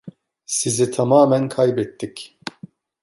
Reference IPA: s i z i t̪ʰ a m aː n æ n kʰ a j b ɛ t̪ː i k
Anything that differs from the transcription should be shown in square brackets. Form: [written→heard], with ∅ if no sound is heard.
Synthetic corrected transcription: s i z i t̪ʰ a m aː [n→m] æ n kʰ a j b ɛ t̪ː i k